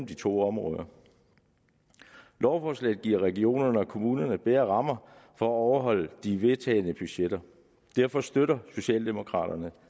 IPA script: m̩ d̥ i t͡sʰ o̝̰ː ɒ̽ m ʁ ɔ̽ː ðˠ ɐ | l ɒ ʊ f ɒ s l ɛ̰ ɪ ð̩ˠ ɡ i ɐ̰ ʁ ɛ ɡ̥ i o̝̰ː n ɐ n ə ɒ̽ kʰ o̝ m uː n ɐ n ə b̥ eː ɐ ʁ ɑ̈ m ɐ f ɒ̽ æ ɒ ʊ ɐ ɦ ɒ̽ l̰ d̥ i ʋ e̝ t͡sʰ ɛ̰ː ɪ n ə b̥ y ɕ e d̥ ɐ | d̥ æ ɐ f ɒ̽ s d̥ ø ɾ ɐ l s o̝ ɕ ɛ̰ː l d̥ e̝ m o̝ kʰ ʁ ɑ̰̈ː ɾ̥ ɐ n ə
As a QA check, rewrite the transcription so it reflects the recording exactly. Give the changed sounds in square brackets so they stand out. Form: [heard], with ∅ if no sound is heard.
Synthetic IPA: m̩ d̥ i t͡sʰ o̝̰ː ɒ̽ m ʁ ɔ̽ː ðˠ ɐ | l ɒ ʊ f ɒ s l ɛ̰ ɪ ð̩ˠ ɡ i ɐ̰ ʁ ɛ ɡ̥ i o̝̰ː n ɐ n ə ɒ̽ kʰ o̝ m uː n ɐ n ə b̥ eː ɐ ʁ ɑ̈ m ɐ f ɒ̽ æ ɒ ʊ ɐ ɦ ɒ̽ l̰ d̥ i ʋ e̝ t͡sʰ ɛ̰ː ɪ n ə b̥ y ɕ e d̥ ɐ | d̥ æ ɐ f ɒ̽ s d̥ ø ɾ ɐ [∅] s o̝ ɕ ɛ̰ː l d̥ e̝ m o̝ kʰ ʁ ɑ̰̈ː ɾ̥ ɐ n ə

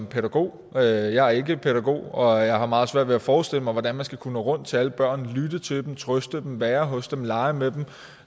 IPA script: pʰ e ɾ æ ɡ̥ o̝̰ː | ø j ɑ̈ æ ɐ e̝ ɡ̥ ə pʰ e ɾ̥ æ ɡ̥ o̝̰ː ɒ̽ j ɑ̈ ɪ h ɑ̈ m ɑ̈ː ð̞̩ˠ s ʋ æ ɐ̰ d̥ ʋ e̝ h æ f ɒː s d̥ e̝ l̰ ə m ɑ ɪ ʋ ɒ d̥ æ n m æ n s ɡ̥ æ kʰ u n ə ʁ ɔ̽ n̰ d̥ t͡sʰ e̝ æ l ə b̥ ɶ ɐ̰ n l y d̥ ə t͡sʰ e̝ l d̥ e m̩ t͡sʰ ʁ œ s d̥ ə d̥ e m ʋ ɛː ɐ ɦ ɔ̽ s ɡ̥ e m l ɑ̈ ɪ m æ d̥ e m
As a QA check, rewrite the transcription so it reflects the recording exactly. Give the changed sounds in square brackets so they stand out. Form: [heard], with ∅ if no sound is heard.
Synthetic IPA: pʰ e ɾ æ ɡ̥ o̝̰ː | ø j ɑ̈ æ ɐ e̝ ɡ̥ ə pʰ e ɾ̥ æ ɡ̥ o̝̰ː ɒ̽ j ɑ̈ ɪ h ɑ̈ m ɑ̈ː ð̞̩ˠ s ʋ æ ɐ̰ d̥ ʋ e̝ [∅] æ f ɒː s d̥ e̝ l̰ ə m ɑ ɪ ʋ ɒ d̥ æ n m æ n s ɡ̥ æ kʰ u n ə ʁ ɔ̽ n̰ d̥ t͡sʰ e̝ æ l ə b̥ ɶ ɐ̰ n l y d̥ ə t͡sʰ e̝ l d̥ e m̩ t͡sʰ ʁ œ s d̥ ə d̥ e m ʋ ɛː ɐ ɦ ɔ̽ s [d̥] e m l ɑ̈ ɪ m [e] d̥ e m

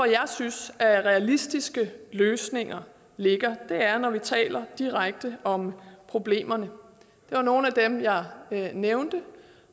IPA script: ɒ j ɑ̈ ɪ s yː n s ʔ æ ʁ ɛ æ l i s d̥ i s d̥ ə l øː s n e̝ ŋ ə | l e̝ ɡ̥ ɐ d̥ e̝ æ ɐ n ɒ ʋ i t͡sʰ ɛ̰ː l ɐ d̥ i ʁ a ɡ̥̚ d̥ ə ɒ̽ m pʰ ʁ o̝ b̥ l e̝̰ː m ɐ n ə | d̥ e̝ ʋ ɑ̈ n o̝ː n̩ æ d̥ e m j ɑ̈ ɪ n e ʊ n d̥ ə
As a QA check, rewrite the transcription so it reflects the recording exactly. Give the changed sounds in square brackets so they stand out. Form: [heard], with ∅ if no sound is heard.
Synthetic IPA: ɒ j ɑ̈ ɪ s [y] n s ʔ æ ʁ ɛ æ l i s d̥ i s [ɡ̥] ə l øː s n e̝ ŋ [ɐ] | l e̝ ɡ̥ ɐ d̥ e̝ æ ɐ n ɒ ʋ i t͡sʰ ɛ̰ː l ɐ d̥ i ʁ a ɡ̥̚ d̥ ə ɒ̽ m pʰ ʁ o̝ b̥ l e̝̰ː m ɐ n ə | d̥ e̝ ʋ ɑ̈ n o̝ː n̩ æ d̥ e m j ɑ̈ ɪ n e ʊ n d̥ ə

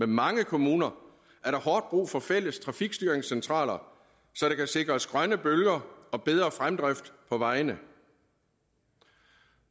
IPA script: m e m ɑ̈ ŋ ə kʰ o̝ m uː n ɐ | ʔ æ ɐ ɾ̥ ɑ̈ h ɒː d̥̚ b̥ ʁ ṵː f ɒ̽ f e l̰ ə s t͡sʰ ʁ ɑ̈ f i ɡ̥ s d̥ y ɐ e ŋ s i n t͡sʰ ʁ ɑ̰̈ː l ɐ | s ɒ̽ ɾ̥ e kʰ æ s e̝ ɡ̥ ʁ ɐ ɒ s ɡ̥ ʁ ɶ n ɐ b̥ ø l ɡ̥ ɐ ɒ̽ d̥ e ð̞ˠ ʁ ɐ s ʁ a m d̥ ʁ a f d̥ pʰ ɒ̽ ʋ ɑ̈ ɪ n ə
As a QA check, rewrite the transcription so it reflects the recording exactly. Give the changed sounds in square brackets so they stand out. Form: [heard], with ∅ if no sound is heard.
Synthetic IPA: m e m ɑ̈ ŋ ə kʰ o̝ m uː n ɐ | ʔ æ ɐ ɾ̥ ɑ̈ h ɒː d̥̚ b̥ ʁ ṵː f ɒ̽ f e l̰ ə s t͡sʰ ʁ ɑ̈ f i ɡ̥ s d̥ y ɐ e ŋ s [e] n t͡sʰ ʁ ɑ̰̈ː l ɐ | s ɒ̽ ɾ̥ e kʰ æ s e̝ ɡ̥ ʁ ɐ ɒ s ɡ̥ ʁ ɶ n [ə] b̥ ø l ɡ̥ ɐ ɒ̽ [b̥] e ð̞ˠ ʁ ɐ [f] ʁ a m d̥ ʁ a f d̥ pʰ ɒ̽ ʋ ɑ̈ ɪ n ə

